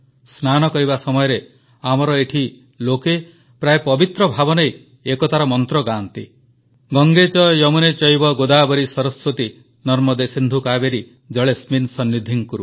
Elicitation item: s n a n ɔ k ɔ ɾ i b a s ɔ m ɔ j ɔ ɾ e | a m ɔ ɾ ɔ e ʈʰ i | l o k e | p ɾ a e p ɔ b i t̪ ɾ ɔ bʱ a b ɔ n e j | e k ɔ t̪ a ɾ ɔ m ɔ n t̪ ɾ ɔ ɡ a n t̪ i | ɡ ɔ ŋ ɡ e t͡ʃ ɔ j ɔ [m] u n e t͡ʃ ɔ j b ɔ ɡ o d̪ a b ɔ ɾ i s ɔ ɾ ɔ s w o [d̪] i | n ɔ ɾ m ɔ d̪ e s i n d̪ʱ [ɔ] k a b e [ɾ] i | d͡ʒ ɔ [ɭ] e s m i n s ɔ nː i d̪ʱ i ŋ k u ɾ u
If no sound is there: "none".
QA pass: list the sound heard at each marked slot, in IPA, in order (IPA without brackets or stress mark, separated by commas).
m, t̪, u, ɾ, ɭ